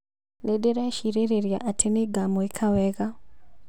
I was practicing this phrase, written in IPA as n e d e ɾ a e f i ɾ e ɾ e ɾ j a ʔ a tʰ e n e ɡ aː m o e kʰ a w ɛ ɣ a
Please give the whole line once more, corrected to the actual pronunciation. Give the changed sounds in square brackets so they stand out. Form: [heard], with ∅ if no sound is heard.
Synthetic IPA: n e d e ɾ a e [ʃ] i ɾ e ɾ e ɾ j a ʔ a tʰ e n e ɡ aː m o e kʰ a w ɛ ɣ a

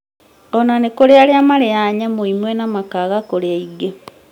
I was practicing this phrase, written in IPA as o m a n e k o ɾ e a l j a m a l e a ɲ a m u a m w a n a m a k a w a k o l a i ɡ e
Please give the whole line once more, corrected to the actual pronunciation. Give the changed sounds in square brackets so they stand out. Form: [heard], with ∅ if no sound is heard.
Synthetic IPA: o [n] a n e k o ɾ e a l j a m a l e a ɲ a m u [i] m w [e] n a m a k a [ɣ] a k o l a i ɡ e

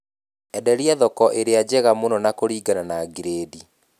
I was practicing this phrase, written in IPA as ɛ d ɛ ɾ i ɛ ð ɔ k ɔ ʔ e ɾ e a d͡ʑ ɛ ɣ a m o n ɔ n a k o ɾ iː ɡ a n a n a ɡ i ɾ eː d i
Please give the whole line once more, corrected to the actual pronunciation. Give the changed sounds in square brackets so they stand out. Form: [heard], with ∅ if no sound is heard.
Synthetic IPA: ɛ d ɛ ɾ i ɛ ð ɔ k ɔ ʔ e ɾ e a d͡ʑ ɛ ɣ a m o n ɔ n a k o ɾ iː ɡ a n a n a ɡ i ɾ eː d i

